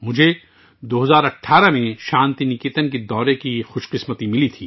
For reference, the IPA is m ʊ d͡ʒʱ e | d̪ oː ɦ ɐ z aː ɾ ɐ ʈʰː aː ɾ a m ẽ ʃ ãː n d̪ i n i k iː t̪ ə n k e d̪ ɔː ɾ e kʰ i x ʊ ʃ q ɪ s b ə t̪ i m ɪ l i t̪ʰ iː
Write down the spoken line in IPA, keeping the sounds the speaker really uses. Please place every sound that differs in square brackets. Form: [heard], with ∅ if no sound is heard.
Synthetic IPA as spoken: m ʊ d͡ʒʱ e | d̪ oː ɦ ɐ z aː ɾ ɐ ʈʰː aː ɾ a m ẽ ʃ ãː n [t̪] i n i k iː t̪ ə n k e d̪ ɔː ɾ e [k] i x ʊ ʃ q ɪ s [m] ə t̪ i m ɪ l i t̪ʰ iː

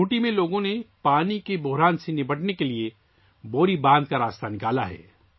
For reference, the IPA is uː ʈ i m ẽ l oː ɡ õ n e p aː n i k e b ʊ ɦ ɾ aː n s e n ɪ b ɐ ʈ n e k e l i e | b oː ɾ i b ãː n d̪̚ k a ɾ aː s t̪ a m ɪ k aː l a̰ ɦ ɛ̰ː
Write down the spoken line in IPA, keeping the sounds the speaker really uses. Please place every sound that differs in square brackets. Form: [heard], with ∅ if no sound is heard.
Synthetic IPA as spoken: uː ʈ i m ẽ l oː ɡ õ n e p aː n i k e b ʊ ɦ ɾ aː n s e n ɪ b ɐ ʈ n e k e l i e | b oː ɾ i b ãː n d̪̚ k a ɾ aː s t̪ a [n] ɪ k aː l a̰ ɦ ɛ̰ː

